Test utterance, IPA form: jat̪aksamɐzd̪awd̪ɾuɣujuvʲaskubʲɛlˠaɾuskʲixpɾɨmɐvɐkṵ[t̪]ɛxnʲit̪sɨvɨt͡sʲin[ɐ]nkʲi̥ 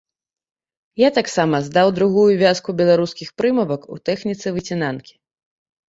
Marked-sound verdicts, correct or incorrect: correct, incorrect: a

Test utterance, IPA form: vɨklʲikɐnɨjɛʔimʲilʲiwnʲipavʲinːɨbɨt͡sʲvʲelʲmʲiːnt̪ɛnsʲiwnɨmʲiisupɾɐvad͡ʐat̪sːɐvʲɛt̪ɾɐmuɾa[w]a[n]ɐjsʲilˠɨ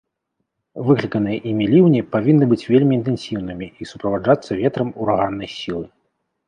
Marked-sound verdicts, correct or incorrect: incorrect: ɣ, incorrect: nː

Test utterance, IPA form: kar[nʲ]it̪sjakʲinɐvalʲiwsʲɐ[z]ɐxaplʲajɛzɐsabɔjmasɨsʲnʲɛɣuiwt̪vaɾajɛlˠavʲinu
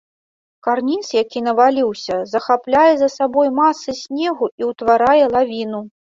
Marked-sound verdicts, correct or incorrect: correct, correct

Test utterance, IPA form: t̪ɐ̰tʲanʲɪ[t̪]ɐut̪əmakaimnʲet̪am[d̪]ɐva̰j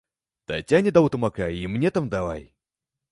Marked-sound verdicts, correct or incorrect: incorrect: d̪, correct

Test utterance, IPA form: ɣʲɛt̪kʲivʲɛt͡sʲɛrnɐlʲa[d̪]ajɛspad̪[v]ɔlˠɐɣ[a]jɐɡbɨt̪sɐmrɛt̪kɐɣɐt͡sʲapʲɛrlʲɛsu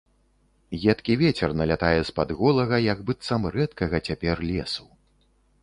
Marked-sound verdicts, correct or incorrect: incorrect: t̪, incorrect: ɣ, incorrect: ɐ

